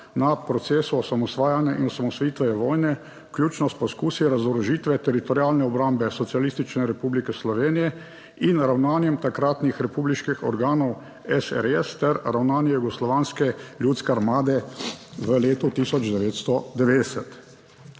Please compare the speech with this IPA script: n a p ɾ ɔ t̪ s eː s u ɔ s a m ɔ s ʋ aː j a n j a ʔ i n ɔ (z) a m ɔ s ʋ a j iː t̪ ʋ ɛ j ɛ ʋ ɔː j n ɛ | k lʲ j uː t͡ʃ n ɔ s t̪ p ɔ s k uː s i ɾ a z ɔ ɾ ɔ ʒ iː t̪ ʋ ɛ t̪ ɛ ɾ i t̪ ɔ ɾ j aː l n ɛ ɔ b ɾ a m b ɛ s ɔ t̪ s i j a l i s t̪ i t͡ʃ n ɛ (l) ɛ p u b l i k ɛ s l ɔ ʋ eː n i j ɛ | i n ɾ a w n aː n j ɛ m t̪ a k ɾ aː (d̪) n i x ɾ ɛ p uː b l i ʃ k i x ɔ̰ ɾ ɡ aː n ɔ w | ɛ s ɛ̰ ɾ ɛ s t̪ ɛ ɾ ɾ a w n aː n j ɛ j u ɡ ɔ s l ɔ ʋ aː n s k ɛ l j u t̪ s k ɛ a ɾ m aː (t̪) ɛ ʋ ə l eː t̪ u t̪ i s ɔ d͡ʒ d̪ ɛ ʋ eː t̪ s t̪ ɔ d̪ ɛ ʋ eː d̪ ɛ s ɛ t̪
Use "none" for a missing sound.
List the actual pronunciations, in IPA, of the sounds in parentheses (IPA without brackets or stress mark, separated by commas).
s, ɾ, t̪, d̪